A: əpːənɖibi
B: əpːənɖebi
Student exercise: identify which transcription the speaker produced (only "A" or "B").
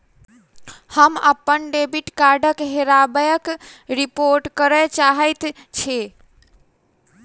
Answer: B